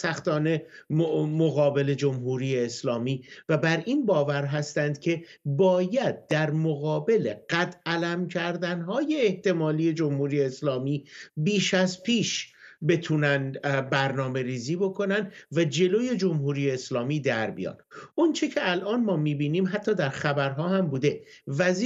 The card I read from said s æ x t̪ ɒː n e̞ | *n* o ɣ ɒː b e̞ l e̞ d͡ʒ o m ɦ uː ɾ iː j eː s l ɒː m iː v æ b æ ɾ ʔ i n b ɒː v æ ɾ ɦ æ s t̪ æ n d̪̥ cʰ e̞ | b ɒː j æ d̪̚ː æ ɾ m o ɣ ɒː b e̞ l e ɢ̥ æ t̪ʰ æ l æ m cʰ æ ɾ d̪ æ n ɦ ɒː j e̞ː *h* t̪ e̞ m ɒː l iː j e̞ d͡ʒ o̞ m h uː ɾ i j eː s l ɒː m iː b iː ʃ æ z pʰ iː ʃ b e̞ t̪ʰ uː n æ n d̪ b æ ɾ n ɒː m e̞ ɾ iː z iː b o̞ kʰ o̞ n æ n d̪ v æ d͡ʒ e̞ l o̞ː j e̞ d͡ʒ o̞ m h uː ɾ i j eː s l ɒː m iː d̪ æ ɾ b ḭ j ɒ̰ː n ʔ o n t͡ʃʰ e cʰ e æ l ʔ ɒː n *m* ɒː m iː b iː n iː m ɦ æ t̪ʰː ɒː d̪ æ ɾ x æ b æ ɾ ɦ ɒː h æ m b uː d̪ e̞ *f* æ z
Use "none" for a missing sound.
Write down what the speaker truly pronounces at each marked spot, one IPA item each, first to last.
m, h, m, v

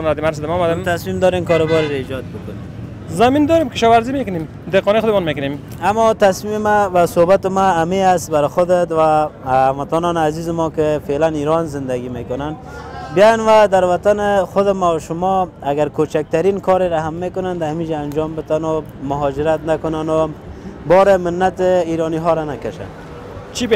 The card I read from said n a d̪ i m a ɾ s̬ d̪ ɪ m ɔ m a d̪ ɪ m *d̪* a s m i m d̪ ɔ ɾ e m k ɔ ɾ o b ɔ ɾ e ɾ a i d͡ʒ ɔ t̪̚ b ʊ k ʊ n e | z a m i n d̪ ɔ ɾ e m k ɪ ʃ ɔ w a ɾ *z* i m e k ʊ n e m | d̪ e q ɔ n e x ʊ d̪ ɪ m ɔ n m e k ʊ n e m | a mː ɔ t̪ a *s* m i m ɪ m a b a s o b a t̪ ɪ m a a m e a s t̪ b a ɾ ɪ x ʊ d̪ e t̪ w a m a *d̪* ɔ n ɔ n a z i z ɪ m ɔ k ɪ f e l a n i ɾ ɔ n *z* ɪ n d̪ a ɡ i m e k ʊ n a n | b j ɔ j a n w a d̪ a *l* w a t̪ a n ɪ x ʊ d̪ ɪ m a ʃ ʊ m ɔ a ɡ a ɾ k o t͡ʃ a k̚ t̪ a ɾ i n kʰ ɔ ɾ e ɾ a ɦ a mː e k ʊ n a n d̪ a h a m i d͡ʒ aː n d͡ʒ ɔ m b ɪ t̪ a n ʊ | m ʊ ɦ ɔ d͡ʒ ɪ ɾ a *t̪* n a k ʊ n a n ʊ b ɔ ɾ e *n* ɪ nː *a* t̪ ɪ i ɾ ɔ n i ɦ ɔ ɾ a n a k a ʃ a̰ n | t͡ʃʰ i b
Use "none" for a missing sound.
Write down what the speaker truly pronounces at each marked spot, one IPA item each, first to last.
t̪, z, s, t̪, z, ɾ, t̪, m, a

